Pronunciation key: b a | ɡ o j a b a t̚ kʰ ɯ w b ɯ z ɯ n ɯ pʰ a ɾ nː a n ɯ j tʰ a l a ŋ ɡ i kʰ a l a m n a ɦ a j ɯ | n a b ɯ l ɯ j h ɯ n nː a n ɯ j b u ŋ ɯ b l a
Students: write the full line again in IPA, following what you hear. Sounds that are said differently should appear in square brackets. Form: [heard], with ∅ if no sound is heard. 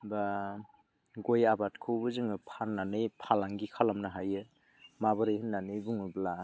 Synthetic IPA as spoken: b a | ɡ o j a b a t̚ kʰ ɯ w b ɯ z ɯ [ŋ] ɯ pʰ a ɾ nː a n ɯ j [pʰ] a l a ŋ ɡ i kʰ a l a m n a ɦ a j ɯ | [m] a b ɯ [ɾ] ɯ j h ɯ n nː a n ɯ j b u ŋ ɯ b l a